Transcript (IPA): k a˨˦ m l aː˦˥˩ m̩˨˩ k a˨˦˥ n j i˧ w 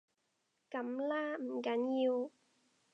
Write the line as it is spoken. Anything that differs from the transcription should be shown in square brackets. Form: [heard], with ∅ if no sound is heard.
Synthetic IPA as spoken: k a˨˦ m l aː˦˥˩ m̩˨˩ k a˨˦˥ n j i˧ w